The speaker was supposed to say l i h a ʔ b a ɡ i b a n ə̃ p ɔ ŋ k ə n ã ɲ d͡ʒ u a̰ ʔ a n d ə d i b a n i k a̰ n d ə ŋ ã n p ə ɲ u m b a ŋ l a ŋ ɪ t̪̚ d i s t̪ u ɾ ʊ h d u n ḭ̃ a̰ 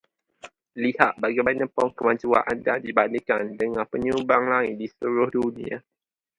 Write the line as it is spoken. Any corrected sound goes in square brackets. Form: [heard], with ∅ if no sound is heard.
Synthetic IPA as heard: l i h a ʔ b a ɡ i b a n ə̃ p ɔ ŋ k ə [m] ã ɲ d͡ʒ u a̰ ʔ a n d [a] d i b a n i k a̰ n d ə ŋ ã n p ə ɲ u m b a ŋ l a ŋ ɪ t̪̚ d i s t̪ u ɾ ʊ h d u n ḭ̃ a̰